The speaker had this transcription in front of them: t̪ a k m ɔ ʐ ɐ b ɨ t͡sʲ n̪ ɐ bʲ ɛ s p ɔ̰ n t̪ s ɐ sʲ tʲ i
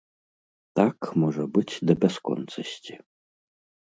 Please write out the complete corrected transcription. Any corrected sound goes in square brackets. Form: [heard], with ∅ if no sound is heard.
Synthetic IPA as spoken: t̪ a k m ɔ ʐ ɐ b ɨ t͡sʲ [d̪] ɐ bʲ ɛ s [k] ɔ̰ n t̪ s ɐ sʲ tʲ i